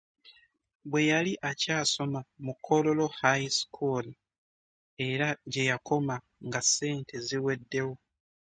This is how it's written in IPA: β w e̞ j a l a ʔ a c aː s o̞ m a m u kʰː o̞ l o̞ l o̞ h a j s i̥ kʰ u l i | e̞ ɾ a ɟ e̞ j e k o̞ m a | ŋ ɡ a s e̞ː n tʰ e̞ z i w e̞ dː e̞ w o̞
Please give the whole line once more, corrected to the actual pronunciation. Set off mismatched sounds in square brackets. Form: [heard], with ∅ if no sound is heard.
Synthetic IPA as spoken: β w e̞ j a l [i] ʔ a c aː s o̞ m a m u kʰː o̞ l o̞ l o̞ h a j s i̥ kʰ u l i | e̞ ɾ a ɟ e̞ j [a] k o̞ m a | ŋ ɡ a s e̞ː n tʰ e̞ z i w e̞ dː e̞ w o̞